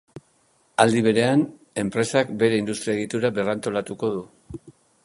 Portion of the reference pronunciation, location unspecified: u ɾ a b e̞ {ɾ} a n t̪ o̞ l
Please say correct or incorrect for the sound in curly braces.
incorrect